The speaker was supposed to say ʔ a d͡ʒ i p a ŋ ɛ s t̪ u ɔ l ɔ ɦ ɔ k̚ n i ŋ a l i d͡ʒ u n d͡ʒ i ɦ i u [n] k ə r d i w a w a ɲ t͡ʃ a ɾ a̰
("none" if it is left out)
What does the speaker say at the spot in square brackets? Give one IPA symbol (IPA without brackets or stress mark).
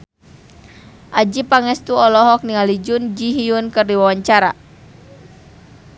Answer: n